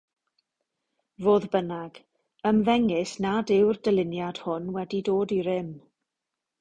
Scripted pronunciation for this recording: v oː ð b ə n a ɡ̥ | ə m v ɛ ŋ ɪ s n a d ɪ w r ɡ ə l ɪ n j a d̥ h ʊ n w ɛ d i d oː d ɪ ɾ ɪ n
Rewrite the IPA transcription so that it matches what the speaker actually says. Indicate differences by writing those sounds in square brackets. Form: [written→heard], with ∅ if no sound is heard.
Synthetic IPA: v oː ð b ə n a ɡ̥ | ə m v ɛ ŋ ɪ s n a d ɪ w r [ɡ→d] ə l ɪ n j a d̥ h ʊ n w ɛ d i d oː d [ɪ→i] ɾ ɪ [n→m]